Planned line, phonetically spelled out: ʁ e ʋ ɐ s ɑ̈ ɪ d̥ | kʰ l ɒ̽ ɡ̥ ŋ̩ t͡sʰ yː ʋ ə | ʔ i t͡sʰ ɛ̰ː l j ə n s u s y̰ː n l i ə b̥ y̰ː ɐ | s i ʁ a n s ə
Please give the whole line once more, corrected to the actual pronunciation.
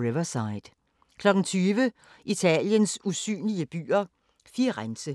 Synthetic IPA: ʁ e ʋ ɐ s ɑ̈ ɪ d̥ | kʰ l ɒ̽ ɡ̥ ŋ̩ t͡sʰ yː ʋ ə | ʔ i t͡sʰ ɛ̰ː l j ə n s u s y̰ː n l i ə b̥ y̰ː ɐ | f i ʁ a n s ə